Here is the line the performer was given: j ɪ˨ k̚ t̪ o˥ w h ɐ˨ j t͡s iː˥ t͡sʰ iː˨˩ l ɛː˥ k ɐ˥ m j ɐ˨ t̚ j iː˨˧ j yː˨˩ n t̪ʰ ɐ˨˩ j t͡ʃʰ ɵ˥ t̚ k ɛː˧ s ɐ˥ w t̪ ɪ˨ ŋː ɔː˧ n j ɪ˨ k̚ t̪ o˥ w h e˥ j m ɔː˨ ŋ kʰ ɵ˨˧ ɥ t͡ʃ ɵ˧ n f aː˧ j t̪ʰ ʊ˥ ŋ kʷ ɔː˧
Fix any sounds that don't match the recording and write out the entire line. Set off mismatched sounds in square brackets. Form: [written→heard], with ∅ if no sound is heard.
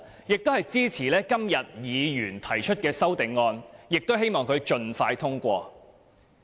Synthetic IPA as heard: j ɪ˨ k̚ t̪ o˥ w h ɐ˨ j t͡s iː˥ t͡sʰ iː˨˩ l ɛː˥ k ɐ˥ m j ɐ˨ t̚ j iː˨˧ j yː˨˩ n t̪ʰ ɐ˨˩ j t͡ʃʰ ɵ˥ t̚ k ɛː˧ s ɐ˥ w t̪ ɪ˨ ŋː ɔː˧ n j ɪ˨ k̚ t̪ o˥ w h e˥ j m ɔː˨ ŋ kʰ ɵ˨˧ ɥ t͡ʃ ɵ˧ n f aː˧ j t̪ʰ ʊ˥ ŋ kʷ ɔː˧